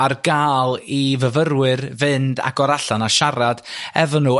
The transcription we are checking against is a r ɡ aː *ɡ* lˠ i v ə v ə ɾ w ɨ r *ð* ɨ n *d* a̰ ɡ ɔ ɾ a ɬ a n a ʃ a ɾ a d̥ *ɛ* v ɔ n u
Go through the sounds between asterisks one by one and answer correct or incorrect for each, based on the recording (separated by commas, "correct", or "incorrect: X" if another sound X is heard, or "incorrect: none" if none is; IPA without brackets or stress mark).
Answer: incorrect: none, incorrect: v, correct, correct